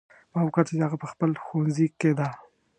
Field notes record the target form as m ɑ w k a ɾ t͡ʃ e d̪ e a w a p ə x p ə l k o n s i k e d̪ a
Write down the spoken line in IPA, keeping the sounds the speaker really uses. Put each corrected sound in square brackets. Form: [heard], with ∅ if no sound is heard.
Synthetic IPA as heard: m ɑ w k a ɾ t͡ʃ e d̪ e a [ɣ] a p ə x p ə l [x] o n [z] i k e d̪ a